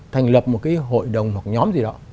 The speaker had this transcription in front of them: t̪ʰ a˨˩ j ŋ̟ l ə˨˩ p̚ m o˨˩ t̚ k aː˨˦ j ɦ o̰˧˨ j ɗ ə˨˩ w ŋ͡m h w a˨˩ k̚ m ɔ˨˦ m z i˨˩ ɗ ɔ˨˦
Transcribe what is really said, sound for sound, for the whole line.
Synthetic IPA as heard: t̪ʰ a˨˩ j ŋ̟ l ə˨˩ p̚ m o˨˩ t̚ k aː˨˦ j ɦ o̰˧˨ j ɗ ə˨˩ w ŋ͡m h w a˨˩ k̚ ɲ ɔ˨˦ m z i˨˩ ɗ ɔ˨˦